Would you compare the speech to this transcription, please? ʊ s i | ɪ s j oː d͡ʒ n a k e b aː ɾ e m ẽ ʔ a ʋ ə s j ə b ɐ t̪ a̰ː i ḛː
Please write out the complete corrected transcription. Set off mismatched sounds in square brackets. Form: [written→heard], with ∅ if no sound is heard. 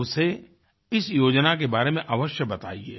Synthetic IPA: ʊ s [i→e] | ɪ s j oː d͡ʒ n a k e b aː ɾ e m ẽ ʔ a ʋ ə [s→ʃ] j ə b ɐ t̪ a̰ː i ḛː